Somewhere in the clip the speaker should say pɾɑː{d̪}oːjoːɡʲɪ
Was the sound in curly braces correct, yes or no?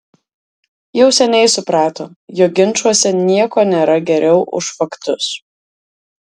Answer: no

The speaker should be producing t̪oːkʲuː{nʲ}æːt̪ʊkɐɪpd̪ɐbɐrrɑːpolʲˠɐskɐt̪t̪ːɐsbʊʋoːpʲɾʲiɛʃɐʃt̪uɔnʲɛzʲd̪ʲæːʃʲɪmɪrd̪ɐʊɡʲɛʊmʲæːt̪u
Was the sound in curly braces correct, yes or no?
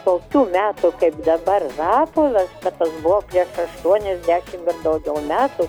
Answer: no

